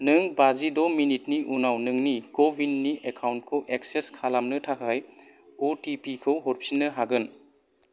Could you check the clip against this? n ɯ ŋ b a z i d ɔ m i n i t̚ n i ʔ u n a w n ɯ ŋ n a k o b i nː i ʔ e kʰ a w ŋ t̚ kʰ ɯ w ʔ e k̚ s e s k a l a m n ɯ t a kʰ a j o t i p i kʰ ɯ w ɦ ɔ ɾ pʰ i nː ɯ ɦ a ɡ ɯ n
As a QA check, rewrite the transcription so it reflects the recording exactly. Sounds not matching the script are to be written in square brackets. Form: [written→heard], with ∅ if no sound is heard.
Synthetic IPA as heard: n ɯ ŋ b a z i d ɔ m i n i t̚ n i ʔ u n a w n ɯ ŋ n [a→i] k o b i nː i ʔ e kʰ a w [ŋ→n] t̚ kʰ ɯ w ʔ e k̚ s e s [k→kʰ] a l a m n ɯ [t→tʰ] a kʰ a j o t i p i kʰ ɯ w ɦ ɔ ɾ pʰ i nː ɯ ɦ a ɡ ɯ n